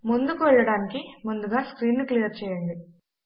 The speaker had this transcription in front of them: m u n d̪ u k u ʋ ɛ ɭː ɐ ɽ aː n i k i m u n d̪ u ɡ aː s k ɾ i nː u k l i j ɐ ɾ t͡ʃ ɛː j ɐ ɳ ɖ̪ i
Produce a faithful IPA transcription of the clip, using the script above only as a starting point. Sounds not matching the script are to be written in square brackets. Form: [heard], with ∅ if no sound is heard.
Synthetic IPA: m u n d̪ u k u ʋ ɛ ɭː ɐ ɽ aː n i k i m u n d̪ u ɡ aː s k ɾ [iː] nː u k l i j ɐ ɾ t͡ʃ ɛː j ɐ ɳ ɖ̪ i